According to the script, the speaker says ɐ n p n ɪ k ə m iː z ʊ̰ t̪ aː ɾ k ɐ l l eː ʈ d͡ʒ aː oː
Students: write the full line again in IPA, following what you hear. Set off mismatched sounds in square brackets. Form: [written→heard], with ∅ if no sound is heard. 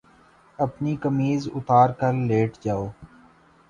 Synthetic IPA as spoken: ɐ [n→∅] p n [ɪ→i] k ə m iː z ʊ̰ t̪ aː ɾ k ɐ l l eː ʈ d͡ʒ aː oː